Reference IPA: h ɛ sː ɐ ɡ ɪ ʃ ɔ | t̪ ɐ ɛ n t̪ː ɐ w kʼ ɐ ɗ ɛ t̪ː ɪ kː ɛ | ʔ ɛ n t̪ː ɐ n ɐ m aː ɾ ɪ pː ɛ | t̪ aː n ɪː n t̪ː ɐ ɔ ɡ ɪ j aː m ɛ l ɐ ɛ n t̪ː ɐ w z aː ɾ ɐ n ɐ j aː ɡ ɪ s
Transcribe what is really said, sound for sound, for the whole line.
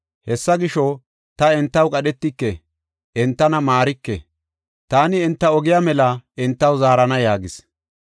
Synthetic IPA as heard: h ɛ sː ɐ ɡ ɪ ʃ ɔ | t̪ ɐ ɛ n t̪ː ɐ w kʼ ɐ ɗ ɛ t̪ː ɪ kː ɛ | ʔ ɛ n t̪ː ɐ n ɐ m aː ɾ ɪ kː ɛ | t̪ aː n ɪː n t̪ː ɐ ɔ ɡ ɪ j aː m ɛ l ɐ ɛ n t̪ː ɐ w z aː ɾ ɐ n ɐ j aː ɡ ɪ s